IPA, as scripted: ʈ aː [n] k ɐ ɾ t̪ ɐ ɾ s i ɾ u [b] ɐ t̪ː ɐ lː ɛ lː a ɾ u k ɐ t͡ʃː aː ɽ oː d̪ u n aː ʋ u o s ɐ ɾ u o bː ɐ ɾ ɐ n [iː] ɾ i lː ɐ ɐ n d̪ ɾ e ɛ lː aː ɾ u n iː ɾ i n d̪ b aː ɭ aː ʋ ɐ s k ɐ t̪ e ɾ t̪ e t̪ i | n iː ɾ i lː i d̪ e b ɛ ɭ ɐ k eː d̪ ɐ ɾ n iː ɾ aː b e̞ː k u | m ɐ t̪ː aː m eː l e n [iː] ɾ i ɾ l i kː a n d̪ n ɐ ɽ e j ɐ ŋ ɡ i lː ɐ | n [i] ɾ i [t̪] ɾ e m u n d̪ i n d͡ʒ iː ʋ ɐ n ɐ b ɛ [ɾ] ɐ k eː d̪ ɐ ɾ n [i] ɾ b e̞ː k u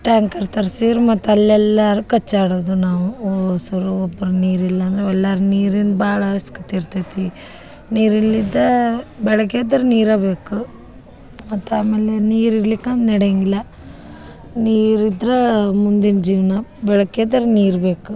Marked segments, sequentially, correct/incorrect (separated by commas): incorrect, incorrect, correct, correct, incorrect, incorrect, incorrect, incorrect